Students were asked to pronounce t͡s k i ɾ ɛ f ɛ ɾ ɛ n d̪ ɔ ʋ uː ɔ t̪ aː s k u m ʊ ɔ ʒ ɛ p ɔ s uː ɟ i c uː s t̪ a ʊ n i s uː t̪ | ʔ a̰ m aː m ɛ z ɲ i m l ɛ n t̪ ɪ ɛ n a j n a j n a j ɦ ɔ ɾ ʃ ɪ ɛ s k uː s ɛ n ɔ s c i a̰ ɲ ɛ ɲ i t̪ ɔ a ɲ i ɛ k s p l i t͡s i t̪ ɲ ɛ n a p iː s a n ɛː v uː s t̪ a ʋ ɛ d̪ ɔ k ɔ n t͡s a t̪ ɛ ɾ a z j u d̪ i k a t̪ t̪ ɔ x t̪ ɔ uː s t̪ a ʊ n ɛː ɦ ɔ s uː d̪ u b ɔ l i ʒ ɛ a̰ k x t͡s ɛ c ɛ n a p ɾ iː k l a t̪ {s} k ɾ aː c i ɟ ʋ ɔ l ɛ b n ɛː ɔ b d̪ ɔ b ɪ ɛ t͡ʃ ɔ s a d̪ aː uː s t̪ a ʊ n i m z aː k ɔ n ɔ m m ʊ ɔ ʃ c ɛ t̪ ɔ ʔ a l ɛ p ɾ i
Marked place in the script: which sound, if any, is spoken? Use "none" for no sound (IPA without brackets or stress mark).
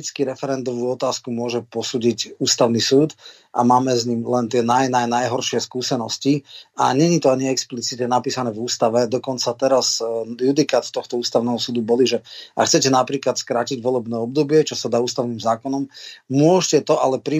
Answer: s